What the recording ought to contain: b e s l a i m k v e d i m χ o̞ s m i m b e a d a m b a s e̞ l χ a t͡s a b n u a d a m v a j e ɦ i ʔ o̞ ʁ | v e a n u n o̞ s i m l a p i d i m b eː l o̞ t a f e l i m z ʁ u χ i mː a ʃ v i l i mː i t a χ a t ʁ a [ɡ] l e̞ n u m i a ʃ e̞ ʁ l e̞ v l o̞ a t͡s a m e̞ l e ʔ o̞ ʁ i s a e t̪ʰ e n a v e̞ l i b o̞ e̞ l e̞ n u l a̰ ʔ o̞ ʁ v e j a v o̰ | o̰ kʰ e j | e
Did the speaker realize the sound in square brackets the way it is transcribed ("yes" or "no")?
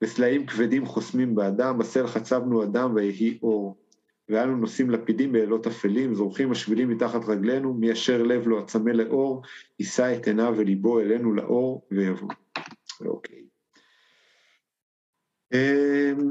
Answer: yes